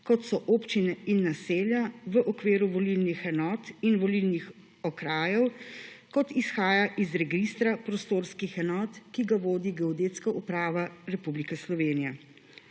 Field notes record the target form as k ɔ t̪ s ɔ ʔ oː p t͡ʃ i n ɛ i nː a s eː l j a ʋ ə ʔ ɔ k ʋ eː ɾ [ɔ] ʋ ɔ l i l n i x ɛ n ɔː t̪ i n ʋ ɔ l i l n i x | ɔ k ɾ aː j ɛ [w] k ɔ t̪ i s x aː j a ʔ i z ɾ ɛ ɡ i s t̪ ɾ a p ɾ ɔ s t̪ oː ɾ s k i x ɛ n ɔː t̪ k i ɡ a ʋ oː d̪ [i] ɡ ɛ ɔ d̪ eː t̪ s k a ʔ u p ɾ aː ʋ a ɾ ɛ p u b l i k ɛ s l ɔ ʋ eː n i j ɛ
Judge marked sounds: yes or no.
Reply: no, yes, yes

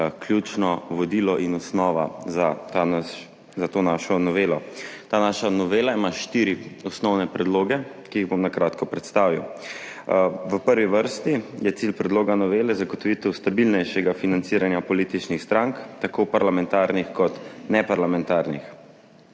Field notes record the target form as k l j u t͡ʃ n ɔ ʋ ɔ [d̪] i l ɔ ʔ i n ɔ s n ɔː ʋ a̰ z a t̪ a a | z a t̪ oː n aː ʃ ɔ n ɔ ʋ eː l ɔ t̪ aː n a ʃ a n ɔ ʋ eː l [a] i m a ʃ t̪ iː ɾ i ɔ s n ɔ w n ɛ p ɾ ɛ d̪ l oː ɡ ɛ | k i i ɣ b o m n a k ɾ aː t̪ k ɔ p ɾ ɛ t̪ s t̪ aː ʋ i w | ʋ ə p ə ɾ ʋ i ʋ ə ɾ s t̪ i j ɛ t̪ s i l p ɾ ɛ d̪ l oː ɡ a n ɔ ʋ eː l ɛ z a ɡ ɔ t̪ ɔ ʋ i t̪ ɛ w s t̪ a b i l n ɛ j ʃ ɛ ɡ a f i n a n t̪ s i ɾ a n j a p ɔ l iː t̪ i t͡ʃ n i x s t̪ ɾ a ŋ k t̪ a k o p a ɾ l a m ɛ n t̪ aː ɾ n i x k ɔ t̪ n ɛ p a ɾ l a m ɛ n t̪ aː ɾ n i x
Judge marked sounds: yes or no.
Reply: yes, yes

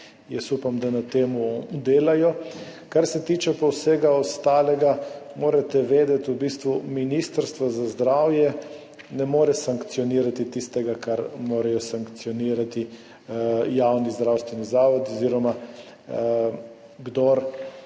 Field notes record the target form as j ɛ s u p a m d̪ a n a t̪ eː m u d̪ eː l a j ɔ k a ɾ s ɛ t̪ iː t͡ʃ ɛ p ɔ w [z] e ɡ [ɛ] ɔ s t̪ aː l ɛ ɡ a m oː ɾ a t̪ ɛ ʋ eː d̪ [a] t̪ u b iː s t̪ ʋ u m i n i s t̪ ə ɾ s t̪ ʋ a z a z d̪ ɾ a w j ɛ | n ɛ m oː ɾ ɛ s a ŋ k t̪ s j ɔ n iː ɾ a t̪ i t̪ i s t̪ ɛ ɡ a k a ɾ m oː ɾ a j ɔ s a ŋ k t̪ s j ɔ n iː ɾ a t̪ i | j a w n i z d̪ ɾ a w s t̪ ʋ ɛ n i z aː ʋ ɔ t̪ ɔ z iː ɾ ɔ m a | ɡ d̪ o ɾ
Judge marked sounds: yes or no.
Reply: no, no, no

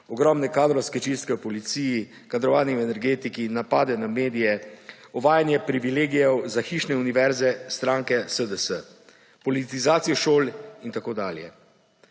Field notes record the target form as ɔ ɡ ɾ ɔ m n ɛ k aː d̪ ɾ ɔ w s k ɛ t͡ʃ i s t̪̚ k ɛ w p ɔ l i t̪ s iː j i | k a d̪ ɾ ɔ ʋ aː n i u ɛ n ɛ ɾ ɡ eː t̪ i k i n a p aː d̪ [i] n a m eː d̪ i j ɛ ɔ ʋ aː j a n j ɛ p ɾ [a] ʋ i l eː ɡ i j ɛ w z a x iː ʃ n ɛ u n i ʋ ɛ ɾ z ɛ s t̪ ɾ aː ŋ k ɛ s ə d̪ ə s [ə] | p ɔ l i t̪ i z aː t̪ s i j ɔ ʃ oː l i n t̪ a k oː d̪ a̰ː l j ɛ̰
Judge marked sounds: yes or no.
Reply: no, no, yes

